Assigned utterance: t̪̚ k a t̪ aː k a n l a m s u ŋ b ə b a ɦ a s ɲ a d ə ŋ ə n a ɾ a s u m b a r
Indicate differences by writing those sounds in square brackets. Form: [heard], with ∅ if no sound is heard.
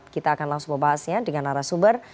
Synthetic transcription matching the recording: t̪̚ k [i] t̪ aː k a n l a [ŋ] s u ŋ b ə b a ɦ a s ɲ a d ə ŋ [a] n a ɾ a s u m b [ə] r